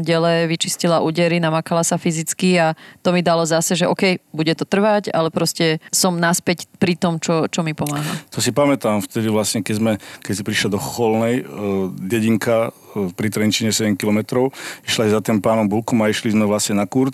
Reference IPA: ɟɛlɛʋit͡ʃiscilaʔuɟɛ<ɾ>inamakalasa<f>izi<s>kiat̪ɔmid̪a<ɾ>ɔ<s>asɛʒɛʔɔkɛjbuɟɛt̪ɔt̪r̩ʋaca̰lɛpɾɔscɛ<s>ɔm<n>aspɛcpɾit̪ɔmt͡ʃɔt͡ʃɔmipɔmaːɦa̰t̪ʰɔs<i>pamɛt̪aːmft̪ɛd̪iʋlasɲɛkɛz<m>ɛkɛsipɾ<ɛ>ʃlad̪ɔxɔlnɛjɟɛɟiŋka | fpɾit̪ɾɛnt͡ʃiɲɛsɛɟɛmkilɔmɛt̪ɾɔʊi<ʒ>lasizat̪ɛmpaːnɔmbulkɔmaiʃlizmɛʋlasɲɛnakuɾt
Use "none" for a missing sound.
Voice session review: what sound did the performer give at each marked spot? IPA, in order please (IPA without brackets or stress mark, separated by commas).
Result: ɾ, f, t͡s, l, z, s, n, i, m, i, ʃ